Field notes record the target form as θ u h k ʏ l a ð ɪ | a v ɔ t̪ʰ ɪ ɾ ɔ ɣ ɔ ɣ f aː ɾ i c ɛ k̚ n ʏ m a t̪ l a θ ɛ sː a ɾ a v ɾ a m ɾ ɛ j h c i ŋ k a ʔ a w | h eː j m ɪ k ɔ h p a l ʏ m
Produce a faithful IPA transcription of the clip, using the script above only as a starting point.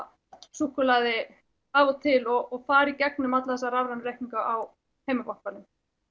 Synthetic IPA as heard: s u h k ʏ l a ð ɪ | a v ɔ t̪ʰ ɪ l ɔ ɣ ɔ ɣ f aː ɾ i c ɛ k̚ n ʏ m a t̪ l a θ ɛ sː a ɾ a v ɾ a n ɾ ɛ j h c i ŋ k a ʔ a w | h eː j m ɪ k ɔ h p a l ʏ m